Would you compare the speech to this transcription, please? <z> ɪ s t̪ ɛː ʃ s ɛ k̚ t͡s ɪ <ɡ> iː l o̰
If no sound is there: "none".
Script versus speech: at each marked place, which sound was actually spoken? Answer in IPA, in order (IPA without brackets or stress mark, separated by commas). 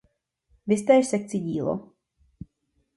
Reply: v, ɟ